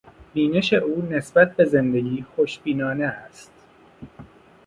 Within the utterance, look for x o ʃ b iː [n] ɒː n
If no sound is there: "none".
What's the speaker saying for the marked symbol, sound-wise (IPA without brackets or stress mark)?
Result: n